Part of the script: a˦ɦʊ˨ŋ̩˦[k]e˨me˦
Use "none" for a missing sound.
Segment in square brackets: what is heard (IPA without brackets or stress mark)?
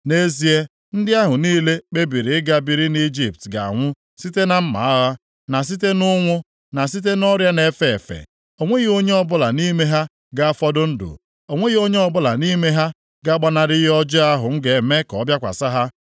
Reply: ɡ